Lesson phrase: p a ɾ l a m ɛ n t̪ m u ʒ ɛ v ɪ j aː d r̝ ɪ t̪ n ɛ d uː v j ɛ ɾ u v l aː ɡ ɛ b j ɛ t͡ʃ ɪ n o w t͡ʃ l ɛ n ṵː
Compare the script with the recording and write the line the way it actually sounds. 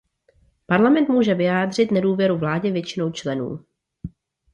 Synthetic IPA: p a ɾ l a m ɛ n t̪ m uː ʒ ɛ v ɪ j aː d r̝ ɪ t̪ n ɛ d uː v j ɛ ɾ u v l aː ɟ ɛ v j ɛ t͡ʃ ɪ n o w t͡ʃ l ɛ n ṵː